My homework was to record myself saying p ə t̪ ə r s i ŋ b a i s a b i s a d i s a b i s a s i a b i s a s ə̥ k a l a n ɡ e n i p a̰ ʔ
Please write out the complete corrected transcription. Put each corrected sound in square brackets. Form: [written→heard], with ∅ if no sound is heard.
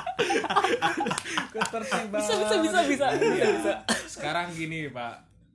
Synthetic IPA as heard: [p→k] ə t̪ ə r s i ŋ b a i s a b i s a [d→b] i s a b i s a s i a b i s a s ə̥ k a [l→ɾ] a [n→ŋ] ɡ [e→i] n i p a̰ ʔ